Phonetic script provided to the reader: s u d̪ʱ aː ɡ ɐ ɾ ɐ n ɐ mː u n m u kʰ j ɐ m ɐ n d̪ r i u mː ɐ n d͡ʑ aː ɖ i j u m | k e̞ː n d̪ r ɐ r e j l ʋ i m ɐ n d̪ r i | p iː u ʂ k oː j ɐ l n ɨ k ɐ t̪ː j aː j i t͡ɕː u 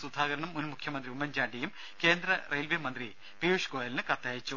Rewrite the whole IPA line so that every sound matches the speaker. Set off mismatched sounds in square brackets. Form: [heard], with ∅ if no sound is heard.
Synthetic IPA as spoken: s u d̪ʱ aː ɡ ɐ ɾ ɐ [ɳ] ɐ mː u n m u kʰ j ɐ m ɐ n d̪ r i u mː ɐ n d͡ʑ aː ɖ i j u m | k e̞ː n d̪ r ɐ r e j l ʋ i m ɐ n d̪ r i | p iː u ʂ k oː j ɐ l n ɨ k ɐ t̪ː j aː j i t͡ɕː u